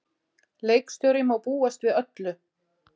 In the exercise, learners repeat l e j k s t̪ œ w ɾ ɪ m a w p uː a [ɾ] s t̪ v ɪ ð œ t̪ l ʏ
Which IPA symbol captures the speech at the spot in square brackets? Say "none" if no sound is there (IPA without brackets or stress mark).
none